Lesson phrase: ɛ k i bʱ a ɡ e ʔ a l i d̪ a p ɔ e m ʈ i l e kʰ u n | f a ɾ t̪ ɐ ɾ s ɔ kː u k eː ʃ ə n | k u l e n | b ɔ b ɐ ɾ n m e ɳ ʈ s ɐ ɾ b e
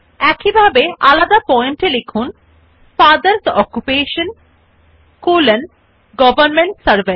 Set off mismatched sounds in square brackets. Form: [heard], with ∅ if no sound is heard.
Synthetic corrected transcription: ɛ k i bʱ a [b] e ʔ a l [a] d̪ a p ɔ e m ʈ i l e kʰ u n | f a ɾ [d̪] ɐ ɾ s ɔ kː u [p] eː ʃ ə n | k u l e n | [ɡ] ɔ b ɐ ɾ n m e ɳ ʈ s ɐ ɾ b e